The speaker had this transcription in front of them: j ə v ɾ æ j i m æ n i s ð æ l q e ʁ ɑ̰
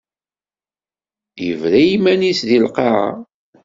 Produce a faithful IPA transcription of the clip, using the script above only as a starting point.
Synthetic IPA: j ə v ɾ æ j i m æ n i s ð i l q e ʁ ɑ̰